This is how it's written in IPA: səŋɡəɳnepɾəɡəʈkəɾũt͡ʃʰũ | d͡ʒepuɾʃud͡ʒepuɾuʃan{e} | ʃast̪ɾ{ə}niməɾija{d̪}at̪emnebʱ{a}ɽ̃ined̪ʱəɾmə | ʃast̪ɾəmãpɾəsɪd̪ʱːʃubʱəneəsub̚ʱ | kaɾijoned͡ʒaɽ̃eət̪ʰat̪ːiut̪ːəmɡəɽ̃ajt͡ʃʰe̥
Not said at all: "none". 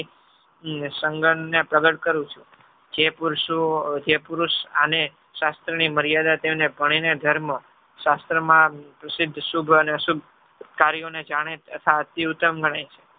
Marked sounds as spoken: e, ə, d̪, ə

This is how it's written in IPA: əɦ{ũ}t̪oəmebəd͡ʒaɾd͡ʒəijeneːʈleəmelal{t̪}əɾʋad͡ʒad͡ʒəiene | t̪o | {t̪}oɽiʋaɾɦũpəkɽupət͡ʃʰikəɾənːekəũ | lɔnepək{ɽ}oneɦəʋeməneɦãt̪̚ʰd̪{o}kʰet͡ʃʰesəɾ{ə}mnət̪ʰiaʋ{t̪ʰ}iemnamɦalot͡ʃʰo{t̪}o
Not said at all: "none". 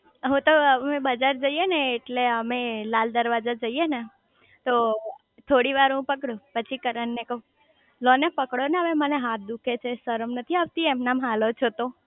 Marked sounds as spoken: ũ, d̪, t̪ʰ, ɽ, u, ə, t̪, t̪

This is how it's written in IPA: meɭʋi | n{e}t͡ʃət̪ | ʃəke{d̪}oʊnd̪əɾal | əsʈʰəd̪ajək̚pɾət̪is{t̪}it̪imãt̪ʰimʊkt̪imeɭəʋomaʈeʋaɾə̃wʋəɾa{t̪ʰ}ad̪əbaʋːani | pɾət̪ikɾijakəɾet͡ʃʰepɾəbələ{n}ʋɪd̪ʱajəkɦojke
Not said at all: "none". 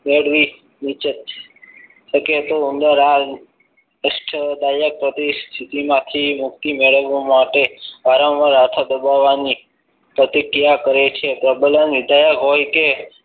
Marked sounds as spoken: i, t̪, t̪ʰ, t̪ʰ, n

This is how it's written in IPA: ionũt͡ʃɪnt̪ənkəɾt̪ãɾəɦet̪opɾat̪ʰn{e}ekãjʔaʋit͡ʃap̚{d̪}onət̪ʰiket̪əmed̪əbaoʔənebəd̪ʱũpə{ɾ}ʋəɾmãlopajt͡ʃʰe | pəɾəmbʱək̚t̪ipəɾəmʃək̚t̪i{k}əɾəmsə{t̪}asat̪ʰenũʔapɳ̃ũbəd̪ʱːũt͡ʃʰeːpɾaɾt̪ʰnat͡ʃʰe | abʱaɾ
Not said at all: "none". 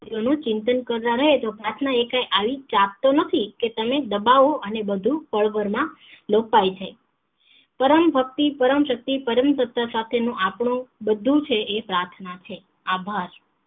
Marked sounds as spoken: a, t̪, ɭ, p, t̪

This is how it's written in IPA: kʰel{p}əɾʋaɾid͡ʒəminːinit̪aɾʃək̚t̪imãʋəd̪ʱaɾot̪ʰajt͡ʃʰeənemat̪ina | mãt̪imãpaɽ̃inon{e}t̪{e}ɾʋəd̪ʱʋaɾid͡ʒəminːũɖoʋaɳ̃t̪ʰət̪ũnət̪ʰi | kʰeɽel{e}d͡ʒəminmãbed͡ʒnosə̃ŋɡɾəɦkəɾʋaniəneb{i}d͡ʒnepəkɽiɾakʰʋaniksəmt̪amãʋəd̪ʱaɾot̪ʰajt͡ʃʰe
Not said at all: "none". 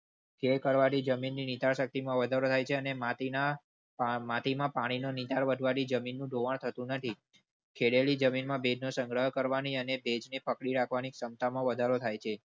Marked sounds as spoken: k, i, a, i, e

